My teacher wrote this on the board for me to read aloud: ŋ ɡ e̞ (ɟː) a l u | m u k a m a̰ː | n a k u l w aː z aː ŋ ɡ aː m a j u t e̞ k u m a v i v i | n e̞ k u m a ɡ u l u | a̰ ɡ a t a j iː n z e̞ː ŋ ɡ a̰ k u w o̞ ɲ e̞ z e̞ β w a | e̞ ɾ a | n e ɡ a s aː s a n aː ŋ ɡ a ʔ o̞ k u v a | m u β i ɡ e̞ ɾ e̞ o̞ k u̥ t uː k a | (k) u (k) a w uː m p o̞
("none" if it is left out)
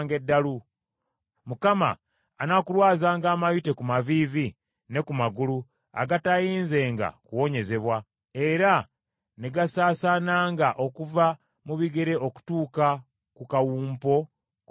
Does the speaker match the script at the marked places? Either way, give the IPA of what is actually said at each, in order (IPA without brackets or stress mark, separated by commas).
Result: dː, k, k